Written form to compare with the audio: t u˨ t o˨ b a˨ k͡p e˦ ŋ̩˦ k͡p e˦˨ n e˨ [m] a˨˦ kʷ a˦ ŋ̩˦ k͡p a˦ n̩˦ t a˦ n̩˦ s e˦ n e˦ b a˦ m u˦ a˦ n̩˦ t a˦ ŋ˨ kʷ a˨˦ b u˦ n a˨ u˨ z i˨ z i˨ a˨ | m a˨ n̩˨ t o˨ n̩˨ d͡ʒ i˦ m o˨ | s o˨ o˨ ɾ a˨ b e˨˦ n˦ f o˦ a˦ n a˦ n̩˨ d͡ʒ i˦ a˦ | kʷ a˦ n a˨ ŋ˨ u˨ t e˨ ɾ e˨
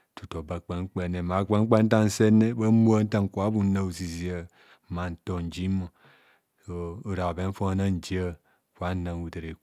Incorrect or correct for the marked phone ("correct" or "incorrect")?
correct